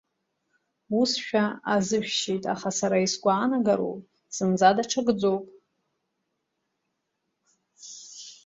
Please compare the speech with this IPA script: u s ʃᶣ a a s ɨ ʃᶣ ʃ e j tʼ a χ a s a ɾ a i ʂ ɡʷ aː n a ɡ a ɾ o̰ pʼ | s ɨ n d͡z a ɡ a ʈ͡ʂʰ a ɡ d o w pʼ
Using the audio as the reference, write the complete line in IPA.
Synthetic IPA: u s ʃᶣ a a z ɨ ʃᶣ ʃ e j tʼ a χ a s a ɾ a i s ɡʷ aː n a ɡ a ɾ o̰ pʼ | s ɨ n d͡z a d a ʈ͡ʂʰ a ɡ d͡z o w pʼ